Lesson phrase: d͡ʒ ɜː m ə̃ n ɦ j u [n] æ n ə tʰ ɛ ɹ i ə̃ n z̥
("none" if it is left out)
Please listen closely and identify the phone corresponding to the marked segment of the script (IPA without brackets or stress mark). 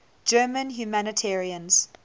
m